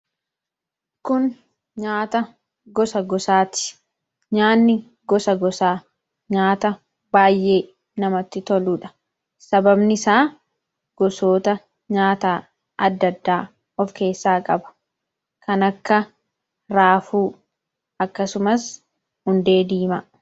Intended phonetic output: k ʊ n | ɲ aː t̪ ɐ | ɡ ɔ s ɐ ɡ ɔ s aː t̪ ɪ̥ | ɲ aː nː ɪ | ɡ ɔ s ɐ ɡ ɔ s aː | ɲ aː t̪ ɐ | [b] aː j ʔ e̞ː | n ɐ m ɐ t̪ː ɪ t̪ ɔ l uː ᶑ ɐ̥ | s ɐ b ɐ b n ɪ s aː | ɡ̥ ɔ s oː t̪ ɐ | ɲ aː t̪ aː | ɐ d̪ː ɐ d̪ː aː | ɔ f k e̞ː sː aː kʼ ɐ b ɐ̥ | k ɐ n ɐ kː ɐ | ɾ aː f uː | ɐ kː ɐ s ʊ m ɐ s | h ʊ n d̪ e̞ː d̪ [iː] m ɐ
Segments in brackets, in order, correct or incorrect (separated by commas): correct, correct